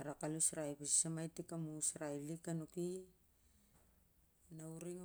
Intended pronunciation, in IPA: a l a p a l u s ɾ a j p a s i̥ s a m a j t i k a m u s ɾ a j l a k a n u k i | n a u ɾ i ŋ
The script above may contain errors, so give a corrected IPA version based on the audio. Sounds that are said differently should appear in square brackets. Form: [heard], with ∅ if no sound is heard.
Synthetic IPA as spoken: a [ɾ] a [k] a l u s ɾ a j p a s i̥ s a m a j t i k a m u s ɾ a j l [i] k a n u k i | n a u ɾ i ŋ